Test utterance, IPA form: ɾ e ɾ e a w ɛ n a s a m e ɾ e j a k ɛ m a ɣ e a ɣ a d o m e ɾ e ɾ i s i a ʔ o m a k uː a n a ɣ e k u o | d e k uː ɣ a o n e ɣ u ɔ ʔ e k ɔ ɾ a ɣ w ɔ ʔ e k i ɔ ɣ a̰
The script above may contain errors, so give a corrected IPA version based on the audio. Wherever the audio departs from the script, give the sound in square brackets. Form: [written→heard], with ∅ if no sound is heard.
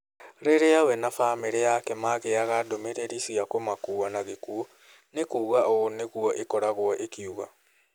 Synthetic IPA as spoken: ɾ e ɾ e a w ɛ n a [s→f] a m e ɾ e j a k ɛ m a ɣ e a ɣ a d o m e ɾ e ɾ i s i a [ʔ→k] o m a k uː a n a ɣ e k u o | [d→n] e k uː ɣ a o n e ɣ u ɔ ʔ e k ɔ ɾ a ɣ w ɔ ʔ e k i [ɔ→u] ɣ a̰